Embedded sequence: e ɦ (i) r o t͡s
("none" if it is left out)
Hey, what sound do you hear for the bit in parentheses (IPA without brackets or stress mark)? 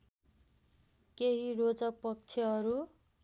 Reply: i